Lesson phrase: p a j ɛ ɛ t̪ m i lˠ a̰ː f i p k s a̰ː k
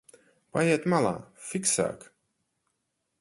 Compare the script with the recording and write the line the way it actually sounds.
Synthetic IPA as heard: p a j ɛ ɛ t̪ m a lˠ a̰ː f i k s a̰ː k